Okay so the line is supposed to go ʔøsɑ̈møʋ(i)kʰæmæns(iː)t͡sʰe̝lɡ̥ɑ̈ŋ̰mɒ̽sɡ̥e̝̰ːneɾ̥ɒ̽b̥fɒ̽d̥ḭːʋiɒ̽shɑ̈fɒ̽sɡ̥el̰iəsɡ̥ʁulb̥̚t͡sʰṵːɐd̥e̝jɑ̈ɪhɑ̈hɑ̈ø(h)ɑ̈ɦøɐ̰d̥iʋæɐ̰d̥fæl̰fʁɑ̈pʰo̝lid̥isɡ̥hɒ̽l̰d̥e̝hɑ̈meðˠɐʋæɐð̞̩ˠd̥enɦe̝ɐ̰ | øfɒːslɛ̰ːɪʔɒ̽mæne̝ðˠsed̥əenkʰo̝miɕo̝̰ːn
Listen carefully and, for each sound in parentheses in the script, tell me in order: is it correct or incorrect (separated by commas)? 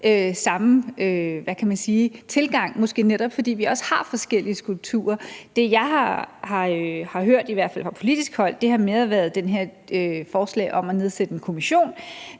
incorrect, correct, correct